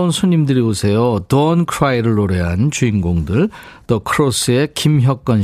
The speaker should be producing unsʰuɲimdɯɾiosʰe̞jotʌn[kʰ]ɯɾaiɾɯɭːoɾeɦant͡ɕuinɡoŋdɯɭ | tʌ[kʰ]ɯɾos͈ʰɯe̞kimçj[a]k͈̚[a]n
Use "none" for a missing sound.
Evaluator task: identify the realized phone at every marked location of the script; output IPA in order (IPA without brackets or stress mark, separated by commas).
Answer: kʰ, kʰ, ʌ, ʌ